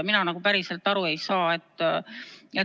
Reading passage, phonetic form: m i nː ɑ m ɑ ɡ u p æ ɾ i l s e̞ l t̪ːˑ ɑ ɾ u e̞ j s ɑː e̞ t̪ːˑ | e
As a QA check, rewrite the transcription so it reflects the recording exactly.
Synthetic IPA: m i n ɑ n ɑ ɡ u p æ ɾ i s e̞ l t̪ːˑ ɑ ɾ u e̞ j s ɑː e̞ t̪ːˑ | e